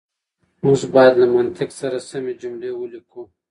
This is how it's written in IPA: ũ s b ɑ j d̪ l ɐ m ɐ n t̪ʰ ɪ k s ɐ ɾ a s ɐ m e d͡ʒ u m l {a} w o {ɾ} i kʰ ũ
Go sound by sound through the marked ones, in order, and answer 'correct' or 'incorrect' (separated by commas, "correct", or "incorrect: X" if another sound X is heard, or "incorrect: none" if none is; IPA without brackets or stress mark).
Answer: incorrect: e, incorrect: l